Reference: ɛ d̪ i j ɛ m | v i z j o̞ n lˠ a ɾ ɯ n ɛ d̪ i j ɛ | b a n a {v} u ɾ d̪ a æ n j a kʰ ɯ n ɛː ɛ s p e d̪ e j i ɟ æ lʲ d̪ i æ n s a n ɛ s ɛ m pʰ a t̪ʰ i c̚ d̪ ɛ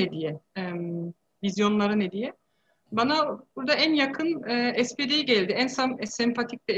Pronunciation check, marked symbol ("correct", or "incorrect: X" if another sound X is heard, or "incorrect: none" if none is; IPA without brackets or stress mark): incorrect: b